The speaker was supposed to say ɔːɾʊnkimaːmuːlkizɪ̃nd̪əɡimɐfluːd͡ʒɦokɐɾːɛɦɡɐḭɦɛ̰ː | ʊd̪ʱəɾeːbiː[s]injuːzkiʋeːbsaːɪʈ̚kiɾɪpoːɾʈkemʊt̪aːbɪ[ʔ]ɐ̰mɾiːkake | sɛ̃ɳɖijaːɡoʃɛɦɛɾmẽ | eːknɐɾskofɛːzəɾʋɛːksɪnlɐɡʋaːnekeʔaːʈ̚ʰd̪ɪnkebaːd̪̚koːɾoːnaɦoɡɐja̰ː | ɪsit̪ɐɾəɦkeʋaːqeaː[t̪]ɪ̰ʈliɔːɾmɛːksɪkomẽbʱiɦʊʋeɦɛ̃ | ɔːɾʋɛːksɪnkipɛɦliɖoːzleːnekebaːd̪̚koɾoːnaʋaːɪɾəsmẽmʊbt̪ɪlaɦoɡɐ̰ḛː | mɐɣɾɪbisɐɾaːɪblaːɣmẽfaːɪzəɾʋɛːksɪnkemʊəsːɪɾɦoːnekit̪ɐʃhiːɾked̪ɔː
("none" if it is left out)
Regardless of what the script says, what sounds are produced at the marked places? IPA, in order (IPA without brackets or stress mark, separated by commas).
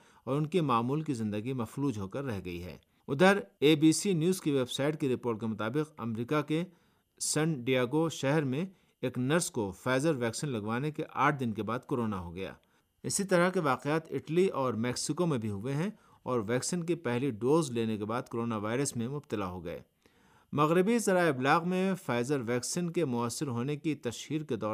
s, q, t̪